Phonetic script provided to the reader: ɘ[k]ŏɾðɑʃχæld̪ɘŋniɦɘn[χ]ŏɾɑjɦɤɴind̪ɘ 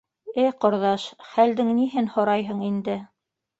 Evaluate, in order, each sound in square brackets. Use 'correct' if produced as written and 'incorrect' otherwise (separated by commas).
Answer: incorrect, incorrect